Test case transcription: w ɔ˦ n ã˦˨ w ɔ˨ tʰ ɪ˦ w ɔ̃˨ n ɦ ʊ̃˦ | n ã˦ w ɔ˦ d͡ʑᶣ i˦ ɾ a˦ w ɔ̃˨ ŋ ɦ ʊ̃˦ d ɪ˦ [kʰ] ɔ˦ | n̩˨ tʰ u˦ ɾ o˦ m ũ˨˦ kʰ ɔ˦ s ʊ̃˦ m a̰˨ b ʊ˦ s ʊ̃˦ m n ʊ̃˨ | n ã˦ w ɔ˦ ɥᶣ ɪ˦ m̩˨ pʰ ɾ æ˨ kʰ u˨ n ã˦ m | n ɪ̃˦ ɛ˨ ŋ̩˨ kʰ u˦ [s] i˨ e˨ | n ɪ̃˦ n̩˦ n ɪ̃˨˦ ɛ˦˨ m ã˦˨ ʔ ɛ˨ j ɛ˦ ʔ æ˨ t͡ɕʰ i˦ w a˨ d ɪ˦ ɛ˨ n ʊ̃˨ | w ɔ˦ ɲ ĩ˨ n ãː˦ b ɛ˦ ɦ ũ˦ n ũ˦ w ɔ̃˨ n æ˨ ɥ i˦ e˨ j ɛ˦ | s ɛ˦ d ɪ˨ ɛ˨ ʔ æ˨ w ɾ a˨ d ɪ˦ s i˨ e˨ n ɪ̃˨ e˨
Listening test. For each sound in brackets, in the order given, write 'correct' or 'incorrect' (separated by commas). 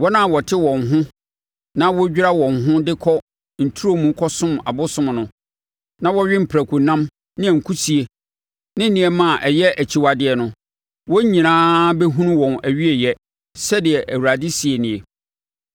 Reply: correct, correct